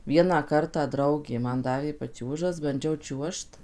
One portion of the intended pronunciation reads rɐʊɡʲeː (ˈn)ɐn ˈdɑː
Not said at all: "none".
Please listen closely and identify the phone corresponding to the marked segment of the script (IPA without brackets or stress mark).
m